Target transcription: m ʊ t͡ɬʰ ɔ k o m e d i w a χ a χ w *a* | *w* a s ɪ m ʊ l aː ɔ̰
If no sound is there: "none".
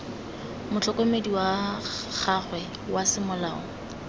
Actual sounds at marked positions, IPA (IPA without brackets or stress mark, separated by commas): ɛ, w